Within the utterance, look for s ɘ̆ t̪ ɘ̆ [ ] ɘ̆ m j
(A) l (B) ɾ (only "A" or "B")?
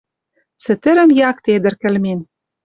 B